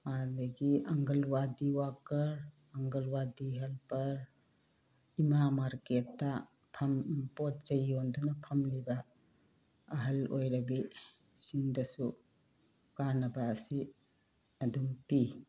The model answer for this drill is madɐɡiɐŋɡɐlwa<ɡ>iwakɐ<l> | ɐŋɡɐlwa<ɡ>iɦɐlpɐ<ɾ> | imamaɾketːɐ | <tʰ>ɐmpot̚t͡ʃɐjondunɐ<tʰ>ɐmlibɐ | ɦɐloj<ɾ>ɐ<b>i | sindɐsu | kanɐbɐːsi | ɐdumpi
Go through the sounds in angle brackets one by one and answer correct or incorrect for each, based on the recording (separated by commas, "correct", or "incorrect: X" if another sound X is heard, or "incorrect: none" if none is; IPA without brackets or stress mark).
incorrect: d, incorrect: ɾ, incorrect: d, correct, incorrect: pʰ, incorrect: pʰ, correct, correct